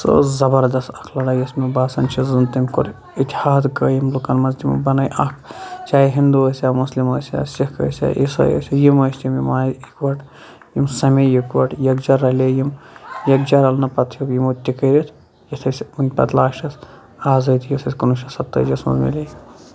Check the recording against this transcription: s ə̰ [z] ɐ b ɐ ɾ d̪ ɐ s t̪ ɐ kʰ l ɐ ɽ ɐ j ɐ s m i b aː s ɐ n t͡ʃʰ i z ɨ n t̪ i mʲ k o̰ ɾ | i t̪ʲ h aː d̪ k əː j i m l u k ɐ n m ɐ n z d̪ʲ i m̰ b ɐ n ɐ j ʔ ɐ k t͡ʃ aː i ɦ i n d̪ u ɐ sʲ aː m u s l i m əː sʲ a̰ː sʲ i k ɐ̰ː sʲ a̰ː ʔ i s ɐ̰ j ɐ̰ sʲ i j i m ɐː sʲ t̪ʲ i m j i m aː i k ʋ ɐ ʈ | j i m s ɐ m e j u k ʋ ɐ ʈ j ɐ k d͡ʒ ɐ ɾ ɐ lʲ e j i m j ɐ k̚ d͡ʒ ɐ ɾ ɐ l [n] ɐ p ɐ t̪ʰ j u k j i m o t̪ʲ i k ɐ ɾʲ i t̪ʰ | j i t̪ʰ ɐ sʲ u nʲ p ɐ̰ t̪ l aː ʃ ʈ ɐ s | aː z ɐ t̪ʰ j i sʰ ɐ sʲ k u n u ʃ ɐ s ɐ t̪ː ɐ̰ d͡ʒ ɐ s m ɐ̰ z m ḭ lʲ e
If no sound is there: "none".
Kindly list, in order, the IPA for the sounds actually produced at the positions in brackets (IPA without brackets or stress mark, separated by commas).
z, n